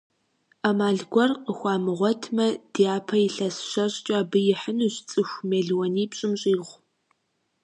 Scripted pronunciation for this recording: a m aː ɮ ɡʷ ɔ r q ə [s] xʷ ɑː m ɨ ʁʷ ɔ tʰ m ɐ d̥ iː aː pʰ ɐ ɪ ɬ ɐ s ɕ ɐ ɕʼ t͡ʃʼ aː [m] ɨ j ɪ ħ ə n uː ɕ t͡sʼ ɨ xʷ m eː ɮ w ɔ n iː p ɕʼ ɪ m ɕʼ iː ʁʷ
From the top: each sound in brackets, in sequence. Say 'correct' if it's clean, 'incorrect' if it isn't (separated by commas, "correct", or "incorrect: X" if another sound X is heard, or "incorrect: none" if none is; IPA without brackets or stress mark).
incorrect: none, incorrect: b